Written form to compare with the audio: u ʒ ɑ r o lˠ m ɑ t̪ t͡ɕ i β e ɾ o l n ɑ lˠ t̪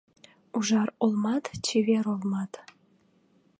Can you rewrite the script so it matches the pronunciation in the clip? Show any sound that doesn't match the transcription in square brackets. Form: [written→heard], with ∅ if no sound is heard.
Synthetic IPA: u ʒ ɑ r o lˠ m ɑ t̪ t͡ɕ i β e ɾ o l [n→m] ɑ [lˠ→∅] t̪